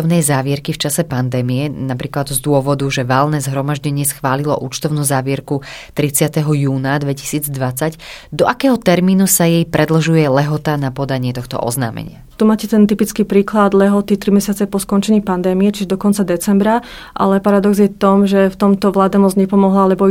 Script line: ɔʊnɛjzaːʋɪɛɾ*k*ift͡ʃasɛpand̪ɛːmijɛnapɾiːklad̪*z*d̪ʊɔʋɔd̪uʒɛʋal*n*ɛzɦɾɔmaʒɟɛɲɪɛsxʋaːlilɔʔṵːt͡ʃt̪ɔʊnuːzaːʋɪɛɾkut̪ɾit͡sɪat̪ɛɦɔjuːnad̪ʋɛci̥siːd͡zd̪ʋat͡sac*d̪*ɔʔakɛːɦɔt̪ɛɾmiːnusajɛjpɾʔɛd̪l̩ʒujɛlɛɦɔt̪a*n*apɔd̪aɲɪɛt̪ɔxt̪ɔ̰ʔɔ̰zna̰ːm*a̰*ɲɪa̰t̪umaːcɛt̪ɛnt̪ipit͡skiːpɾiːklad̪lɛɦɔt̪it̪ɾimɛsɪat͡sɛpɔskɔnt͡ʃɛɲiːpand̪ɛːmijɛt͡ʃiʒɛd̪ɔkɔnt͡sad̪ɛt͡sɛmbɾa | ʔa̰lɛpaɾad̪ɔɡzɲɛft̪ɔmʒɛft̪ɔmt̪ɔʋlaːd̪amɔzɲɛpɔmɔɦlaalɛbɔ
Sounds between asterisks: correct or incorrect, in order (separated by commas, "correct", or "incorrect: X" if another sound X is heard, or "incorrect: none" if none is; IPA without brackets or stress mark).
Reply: correct, correct, correct, correct, correct, incorrect: ɛ̰